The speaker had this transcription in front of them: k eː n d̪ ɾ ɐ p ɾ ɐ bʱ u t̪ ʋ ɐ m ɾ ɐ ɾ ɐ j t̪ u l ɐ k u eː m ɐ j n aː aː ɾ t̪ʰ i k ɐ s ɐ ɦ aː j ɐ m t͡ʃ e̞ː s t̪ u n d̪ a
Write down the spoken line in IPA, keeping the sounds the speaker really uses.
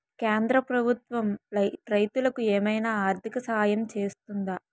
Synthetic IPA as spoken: k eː n d̪ ɾ ɐ p ɾ ɐ bʱ u t̪ ʋ ɐ m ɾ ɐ ɾ ɐ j t̪ u l ɐ k u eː m ɐ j n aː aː ɾ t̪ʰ i k ɐ s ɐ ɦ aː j ɐ m t͡ʃ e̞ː s t̪ u n d̪ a